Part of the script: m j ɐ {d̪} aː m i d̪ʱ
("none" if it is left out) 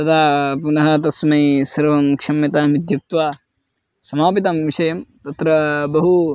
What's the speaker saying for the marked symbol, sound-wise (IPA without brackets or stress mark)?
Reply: t̪